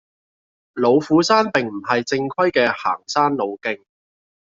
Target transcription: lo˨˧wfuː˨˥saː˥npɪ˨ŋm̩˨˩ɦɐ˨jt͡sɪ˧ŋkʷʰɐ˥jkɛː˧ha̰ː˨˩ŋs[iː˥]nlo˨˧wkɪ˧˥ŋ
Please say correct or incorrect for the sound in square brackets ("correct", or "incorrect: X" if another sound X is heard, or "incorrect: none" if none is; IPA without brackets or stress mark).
incorrect: aː˥